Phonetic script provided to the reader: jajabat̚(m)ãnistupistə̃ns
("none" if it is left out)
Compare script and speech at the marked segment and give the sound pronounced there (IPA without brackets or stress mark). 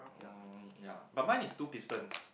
m